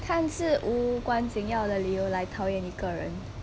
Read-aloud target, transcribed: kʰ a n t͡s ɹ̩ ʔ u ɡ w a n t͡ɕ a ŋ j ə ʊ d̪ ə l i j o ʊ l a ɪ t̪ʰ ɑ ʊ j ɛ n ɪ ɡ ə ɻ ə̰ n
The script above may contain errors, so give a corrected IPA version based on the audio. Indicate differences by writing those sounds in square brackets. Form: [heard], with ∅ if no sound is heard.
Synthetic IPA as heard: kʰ a n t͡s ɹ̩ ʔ u [k] w a n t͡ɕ [i] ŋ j [ɑ] ʊ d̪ ə l i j o ʊ l a ɪ t̪ʰ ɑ ʊ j ɛ n [i] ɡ ə ɻ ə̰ n